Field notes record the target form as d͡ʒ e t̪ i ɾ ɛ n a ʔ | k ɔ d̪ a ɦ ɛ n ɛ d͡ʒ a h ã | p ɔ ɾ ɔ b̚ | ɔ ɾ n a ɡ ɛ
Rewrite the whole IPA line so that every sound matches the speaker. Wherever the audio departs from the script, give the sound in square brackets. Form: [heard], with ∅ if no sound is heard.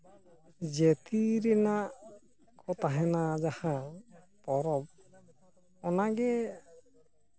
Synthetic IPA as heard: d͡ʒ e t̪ i ɾ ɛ n a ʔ | k ɔ [t̪] a ɦ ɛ n [a] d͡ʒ a h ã | p ɔ ɾ ɔ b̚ | ɔ [∅] n a ɡ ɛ